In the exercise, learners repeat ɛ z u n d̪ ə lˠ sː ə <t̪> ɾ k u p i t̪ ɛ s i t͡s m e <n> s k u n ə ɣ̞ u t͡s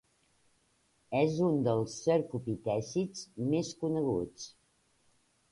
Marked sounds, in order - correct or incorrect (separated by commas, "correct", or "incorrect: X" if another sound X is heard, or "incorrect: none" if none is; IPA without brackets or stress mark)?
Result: incorrect: none, incorrect: none